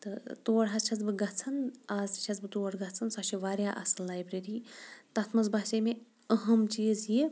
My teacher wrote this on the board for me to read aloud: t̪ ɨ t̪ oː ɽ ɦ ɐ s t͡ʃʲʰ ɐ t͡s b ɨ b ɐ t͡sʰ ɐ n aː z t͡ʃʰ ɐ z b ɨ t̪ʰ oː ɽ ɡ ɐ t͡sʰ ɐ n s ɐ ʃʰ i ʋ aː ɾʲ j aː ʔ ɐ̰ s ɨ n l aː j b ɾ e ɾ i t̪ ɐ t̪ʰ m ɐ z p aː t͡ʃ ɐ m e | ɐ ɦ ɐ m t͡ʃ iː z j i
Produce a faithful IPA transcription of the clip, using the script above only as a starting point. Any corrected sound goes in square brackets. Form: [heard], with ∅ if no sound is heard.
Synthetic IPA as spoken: t̪ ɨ t̪ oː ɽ ɦ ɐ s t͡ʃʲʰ ɐ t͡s b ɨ [ɡ] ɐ t͡sʰ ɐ n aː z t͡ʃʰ ɐ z b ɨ [t̪] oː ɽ ɡ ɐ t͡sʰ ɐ n s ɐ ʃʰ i ʋ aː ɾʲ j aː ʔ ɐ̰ s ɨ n l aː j b ɾ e ɾ i t̪ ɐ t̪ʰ m ɐ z [b] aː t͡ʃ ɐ m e | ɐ ɦ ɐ m t͡ʃ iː z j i